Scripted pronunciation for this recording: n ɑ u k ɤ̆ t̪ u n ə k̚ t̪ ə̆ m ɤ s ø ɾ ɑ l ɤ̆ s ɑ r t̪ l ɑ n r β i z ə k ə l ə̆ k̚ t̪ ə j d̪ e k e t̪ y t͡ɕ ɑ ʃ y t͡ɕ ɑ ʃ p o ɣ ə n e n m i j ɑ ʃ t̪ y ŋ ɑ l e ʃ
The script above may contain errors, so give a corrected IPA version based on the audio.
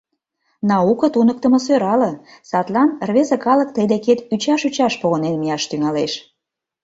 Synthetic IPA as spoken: n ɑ u k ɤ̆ t̪ u n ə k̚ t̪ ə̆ m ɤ s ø ɾ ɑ l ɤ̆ s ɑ t̪ l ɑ n r β e z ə k ɑ l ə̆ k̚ t̪ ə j d̪ e k e t̪ y t͡ɕ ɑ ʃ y t͡ɕ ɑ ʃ p o ɣ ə n e n m i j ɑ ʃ t̪ y ŋ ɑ l e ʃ